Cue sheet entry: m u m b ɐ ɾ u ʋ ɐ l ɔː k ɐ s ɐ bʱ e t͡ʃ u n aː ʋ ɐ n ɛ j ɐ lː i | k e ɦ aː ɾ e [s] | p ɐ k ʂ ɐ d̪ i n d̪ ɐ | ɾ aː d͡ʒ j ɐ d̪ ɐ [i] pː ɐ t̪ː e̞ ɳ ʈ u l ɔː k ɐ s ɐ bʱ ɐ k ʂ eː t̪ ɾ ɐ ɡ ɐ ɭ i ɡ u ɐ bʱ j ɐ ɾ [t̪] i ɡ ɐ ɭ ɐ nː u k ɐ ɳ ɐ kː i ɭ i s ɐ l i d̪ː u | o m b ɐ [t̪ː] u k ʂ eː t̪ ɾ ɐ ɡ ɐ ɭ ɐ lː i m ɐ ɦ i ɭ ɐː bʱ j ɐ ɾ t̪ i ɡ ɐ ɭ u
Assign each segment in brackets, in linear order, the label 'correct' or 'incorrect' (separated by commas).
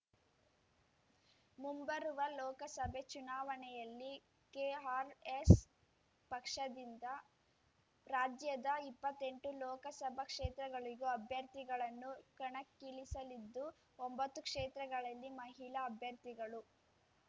correct, correct, correct, correct